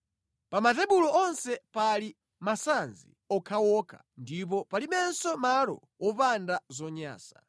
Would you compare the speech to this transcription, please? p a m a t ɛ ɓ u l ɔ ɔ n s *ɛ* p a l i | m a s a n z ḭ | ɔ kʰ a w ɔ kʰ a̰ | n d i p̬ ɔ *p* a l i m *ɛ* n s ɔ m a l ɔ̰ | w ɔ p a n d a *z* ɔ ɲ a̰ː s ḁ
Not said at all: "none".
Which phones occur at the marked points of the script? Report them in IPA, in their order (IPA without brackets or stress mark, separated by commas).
ɛ, p, ɛ, z